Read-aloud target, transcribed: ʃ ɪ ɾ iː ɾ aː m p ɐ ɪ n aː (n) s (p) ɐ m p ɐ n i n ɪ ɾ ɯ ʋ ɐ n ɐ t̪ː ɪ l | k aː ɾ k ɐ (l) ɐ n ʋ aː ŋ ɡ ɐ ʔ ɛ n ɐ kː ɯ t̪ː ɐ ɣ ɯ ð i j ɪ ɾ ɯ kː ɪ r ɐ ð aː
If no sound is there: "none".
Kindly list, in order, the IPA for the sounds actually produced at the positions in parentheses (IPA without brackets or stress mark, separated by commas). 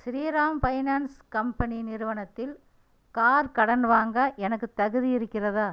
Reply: n, k, ɽ